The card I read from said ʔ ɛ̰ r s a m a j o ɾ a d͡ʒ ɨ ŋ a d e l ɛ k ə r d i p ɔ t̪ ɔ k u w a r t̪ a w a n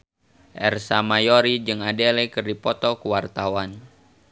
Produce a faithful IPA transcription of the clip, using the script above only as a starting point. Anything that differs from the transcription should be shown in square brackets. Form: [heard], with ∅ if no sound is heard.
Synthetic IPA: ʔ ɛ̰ r s a m a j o ɾ [i] d͡ʒ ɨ ŋ a d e l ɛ k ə r d i p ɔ t̪ ɔ k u w a r t̪ a w a n